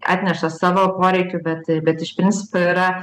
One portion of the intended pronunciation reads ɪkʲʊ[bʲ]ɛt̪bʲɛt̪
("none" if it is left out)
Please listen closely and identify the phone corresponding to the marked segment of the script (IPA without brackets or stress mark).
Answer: bʲ